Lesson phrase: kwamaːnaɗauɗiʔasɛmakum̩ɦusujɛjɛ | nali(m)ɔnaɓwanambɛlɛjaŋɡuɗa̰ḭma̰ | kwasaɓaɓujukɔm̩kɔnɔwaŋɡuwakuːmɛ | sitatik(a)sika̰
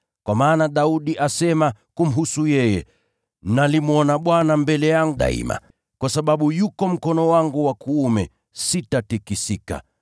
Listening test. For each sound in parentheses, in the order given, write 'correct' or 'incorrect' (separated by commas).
correct, incorrect